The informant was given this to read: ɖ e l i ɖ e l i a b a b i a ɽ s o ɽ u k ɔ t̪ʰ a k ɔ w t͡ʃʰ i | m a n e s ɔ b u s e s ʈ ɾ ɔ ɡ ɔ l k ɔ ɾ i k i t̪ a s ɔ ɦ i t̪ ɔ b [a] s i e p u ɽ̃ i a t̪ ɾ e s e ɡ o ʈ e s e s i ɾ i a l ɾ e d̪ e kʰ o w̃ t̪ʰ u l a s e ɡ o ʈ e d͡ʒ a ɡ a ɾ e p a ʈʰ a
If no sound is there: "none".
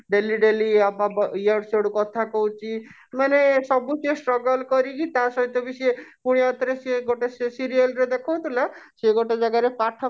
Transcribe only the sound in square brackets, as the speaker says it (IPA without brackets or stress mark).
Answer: i